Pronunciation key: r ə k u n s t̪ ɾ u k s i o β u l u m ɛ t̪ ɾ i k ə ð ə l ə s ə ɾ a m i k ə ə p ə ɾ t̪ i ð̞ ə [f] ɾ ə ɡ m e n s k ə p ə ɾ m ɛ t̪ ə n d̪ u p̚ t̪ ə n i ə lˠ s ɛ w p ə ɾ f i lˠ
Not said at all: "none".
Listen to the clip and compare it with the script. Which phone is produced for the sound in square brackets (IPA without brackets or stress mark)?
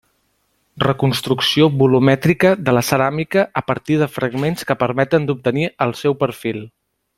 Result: f